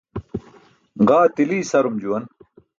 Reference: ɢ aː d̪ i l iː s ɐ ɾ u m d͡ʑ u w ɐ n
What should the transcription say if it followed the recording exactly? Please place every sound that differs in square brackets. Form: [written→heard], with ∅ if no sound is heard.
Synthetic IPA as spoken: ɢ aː [d̪→t̪] i l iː s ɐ ɾ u m d͡ʑ u w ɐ n